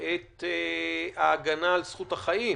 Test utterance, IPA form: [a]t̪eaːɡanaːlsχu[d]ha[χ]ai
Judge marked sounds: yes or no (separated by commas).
no, no, yes